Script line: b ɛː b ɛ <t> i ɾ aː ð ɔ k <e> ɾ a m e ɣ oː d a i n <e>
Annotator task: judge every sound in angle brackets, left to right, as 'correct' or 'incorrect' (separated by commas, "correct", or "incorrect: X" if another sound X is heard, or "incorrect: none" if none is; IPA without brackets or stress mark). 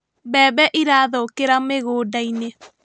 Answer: incorrect: ʔ, correct, correct